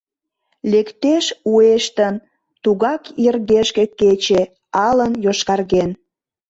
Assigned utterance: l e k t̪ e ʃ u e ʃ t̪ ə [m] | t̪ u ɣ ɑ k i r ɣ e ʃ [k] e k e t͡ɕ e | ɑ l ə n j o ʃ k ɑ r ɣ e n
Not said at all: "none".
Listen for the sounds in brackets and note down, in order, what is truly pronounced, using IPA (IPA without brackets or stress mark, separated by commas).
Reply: n, k